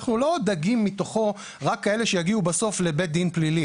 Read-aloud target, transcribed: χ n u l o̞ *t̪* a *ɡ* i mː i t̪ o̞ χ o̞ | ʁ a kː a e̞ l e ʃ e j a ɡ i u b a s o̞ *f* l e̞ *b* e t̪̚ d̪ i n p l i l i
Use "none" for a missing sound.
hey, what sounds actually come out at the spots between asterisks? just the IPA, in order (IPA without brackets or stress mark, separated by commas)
d̪, ɡ, f, b